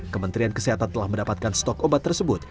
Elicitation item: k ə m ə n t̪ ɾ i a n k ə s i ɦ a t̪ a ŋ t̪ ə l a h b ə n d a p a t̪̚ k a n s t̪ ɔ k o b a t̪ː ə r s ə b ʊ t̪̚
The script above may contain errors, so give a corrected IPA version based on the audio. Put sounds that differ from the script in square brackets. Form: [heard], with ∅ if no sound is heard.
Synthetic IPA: k ə m ə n t̪ ɾ i a n k ə s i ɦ a t̪ a [n] t̪ ə l a h [m] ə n d a p a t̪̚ k a n s t̪ ɔ k o b a t̪ː ə r s ə b ʊ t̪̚